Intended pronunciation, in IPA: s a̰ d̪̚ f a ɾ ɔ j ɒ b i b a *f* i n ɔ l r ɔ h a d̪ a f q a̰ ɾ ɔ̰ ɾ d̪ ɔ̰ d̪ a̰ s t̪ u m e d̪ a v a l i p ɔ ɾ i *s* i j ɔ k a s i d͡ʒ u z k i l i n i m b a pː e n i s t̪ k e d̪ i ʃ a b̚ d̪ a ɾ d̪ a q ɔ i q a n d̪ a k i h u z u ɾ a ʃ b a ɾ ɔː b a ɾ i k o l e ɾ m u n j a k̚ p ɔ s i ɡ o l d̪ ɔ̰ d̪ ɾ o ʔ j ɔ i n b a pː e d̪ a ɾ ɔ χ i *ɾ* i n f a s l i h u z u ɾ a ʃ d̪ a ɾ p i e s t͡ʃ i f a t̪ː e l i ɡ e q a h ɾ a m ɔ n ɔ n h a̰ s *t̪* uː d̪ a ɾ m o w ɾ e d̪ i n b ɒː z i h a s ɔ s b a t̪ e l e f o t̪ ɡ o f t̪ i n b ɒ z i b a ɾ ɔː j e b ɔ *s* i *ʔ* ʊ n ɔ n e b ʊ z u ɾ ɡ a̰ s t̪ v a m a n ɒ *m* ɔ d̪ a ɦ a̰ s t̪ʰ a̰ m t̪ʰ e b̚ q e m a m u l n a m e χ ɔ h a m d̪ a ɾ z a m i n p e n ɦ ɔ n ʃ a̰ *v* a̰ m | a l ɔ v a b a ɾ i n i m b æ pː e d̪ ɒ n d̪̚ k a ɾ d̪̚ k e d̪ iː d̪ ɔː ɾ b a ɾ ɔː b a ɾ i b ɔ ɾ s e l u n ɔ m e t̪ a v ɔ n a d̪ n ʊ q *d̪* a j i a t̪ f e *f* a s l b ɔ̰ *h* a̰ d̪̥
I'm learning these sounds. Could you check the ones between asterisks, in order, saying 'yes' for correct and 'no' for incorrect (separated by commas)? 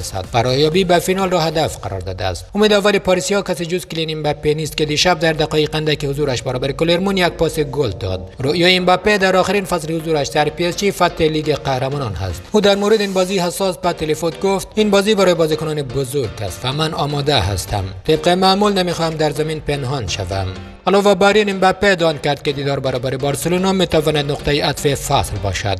yes, yes, yes, yes, no, no, yes, yes, no, yes, no